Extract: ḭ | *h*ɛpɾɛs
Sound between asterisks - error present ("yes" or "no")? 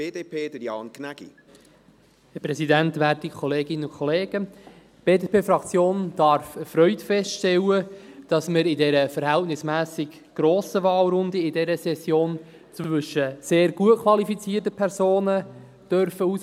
no